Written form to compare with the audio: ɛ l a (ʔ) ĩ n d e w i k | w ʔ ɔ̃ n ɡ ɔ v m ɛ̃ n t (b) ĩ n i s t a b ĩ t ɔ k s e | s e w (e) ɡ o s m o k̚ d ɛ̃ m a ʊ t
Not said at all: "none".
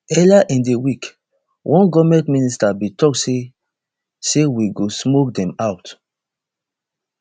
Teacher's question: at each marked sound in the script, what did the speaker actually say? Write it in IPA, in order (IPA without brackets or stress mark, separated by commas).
ʔ, m, i